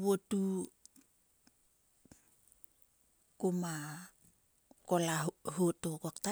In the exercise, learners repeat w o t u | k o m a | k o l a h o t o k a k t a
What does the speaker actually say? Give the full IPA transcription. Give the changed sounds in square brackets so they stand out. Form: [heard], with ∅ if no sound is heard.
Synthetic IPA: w o t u | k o m a | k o l a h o t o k a k t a